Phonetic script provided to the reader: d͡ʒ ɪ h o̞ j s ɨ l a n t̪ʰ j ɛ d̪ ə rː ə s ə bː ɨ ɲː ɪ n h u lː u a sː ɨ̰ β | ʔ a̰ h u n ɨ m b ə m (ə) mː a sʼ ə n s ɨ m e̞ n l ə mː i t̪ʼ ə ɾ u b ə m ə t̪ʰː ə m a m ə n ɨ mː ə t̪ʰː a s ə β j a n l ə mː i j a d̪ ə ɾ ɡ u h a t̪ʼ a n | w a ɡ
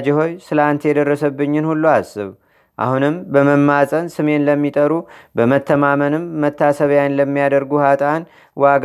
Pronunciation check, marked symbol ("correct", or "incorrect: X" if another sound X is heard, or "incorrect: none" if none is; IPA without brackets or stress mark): correct